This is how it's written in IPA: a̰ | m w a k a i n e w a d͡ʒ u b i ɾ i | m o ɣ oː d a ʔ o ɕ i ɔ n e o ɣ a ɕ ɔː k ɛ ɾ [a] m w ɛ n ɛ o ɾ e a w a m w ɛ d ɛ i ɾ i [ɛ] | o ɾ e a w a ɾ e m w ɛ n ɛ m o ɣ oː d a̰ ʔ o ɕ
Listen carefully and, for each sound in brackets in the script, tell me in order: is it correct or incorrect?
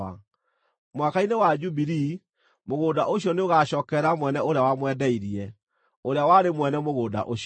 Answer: correct, correct

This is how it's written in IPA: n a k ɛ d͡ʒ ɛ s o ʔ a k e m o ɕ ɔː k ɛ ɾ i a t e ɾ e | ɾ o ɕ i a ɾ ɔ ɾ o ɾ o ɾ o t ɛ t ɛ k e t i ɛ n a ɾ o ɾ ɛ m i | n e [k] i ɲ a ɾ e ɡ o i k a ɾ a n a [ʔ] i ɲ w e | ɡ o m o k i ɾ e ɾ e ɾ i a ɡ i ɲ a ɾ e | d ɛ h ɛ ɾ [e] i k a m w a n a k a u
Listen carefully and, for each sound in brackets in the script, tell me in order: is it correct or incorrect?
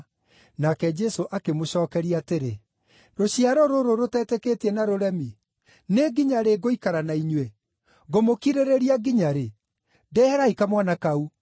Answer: incorrect, incorrect, incorrect

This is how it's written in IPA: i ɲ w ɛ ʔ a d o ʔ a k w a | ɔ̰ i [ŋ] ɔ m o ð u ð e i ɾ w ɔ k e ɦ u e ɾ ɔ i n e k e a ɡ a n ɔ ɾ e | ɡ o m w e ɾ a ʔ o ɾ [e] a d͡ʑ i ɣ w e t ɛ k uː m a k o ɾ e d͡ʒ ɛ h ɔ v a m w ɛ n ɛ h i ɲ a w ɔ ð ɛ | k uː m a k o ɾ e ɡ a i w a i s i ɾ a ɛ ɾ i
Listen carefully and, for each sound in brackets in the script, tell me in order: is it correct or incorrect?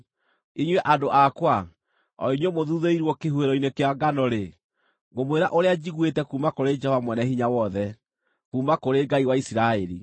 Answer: incorrect, correct

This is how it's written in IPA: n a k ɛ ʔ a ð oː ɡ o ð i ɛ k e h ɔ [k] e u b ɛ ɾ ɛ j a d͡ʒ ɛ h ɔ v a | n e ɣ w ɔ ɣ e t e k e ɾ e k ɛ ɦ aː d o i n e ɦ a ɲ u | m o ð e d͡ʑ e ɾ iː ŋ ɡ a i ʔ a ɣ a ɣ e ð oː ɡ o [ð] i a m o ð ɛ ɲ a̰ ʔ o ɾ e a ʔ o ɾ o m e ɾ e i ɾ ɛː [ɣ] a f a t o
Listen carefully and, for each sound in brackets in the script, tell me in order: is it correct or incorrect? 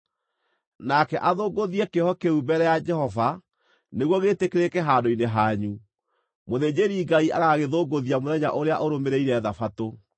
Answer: correct, correct, incorrect

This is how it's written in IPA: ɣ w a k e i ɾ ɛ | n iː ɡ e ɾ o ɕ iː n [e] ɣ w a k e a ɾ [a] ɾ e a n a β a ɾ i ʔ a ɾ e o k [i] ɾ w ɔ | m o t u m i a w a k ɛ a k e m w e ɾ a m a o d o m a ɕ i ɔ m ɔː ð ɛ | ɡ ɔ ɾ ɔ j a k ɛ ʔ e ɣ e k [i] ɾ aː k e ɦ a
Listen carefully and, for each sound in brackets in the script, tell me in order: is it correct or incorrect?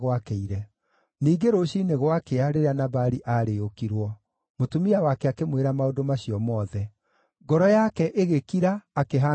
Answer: correct, incorrect, correct, correct

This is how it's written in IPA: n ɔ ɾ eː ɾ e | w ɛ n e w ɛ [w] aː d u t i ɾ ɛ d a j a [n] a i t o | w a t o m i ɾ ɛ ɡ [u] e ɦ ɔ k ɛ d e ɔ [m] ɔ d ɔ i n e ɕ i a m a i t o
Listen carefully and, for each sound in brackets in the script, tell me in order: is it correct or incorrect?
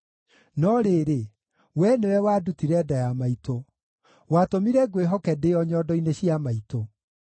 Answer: correct, incorrect, incorrect, incorrect

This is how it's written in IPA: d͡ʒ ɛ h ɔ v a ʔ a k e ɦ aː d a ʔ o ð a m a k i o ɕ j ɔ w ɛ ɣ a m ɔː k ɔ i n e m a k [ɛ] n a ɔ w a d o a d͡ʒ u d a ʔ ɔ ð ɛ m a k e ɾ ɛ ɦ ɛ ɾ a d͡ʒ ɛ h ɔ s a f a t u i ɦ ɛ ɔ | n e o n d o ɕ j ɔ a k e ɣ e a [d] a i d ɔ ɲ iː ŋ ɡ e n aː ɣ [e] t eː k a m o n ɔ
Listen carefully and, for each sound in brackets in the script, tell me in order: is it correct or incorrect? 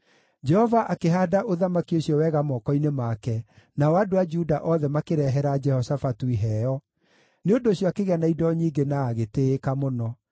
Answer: correct, incorrect, correct

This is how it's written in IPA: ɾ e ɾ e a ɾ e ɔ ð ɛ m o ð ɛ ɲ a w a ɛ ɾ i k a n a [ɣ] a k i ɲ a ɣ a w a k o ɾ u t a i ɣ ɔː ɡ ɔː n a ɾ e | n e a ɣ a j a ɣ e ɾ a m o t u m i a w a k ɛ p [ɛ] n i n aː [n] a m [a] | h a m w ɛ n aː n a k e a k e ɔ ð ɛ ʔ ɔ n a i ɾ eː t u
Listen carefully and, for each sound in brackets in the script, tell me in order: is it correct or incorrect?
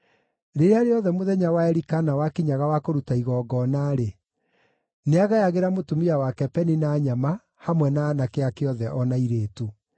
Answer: incorrect, correct, incorrect, correct

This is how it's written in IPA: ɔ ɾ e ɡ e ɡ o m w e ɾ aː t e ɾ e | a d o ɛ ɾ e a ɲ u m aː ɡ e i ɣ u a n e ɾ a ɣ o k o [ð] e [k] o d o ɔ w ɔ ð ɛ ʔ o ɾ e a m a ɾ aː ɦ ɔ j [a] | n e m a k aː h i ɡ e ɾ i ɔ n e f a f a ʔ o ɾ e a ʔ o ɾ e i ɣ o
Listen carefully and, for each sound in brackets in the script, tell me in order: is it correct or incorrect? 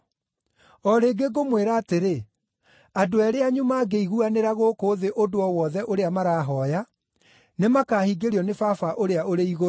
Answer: correct, incorrect, correct

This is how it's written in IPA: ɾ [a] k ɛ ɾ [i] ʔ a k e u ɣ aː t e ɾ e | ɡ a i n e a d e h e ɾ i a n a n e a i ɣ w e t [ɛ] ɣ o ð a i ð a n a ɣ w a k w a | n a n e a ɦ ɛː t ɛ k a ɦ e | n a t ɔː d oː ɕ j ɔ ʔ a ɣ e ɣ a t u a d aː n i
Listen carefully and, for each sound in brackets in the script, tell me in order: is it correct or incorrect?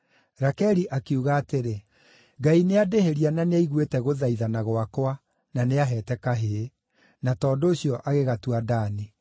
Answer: correct, correct, correct

